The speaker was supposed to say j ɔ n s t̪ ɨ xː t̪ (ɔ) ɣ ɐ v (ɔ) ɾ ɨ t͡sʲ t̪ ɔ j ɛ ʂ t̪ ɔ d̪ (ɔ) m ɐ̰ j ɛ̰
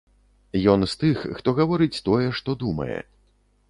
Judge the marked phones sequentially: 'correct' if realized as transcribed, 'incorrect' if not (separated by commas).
correct, correct, incorrect